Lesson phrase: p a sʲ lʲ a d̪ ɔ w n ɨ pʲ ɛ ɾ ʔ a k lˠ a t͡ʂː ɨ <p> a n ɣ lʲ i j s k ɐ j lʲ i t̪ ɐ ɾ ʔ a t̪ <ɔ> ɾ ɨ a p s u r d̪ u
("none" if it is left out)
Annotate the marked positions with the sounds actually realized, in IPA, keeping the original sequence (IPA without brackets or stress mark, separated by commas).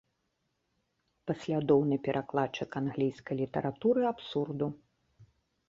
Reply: k, u